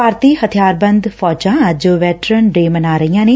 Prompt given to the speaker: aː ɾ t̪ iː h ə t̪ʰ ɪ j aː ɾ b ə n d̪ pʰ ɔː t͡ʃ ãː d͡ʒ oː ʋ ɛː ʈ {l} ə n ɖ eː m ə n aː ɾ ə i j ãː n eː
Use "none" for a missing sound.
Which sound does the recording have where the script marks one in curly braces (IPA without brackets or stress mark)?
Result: ɾ